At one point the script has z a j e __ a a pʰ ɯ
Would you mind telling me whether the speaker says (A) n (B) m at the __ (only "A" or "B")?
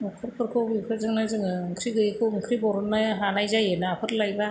A